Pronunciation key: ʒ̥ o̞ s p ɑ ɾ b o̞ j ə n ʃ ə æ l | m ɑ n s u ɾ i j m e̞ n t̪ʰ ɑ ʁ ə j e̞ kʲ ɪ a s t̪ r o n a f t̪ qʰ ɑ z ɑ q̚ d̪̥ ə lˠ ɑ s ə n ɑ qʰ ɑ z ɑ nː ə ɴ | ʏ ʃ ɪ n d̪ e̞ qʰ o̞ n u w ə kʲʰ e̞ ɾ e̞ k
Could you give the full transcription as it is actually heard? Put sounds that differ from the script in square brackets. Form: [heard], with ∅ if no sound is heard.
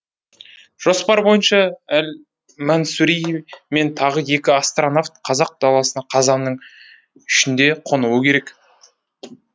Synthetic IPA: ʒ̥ o̞ s p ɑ ɾ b o̞ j ə n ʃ [ɑ] æ l | m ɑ n s u ɾ i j m e̞ n t̪ʰ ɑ ʁ ə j e̞ kʲ ɪ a s t̪ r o n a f t̪ qʰ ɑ z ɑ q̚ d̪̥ [ɑ] lˠ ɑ s ə n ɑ qʰ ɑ z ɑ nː ə ɴ | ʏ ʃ ɪ n d̪ e̞ qʰ o̞ n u w ə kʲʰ e̞ ɾ e̞ k